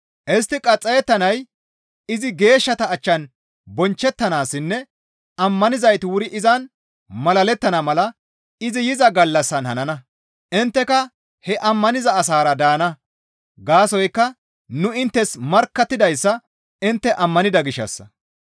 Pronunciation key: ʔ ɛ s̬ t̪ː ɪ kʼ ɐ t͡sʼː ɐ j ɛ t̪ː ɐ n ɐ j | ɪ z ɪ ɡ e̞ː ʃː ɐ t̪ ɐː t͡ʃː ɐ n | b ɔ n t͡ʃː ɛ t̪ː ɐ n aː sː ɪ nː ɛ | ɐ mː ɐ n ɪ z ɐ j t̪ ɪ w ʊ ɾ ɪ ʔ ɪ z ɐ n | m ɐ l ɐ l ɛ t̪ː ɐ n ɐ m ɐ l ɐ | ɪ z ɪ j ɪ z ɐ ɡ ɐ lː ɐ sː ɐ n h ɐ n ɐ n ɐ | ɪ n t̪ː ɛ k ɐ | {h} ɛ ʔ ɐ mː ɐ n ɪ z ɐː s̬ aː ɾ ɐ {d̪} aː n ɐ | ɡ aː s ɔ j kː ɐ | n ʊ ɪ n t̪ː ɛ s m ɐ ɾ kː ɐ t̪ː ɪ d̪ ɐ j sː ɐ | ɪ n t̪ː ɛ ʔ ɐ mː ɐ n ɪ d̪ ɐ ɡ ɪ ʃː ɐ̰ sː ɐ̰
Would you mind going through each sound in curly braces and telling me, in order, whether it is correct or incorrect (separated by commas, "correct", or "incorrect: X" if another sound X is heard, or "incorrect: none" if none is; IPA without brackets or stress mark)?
correct, correct